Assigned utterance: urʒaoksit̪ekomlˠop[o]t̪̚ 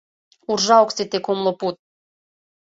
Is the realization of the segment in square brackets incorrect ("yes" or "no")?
yes